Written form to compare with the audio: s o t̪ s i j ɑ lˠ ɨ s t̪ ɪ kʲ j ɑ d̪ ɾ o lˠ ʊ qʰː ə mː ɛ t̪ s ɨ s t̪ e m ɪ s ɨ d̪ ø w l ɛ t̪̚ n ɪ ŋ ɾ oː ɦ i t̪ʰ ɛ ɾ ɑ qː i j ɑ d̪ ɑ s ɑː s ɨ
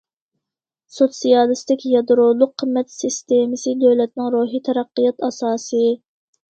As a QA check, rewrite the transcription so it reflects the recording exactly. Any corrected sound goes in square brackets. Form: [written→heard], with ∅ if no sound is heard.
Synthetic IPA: s o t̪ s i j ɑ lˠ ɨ s t̪ ɪ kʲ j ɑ d̪ ɾ o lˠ ʊ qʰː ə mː ɛ t̪ s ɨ s t̪ e m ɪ s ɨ d̪ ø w l ɛ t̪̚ n ɪ ŋ ɾ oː ɦ i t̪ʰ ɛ ɾ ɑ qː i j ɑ [d̪→t̪] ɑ s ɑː s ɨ